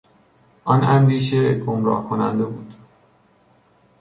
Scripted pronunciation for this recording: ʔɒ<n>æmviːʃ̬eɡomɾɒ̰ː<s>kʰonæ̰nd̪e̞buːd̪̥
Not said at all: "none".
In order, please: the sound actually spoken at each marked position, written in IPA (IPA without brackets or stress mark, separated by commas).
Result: n, h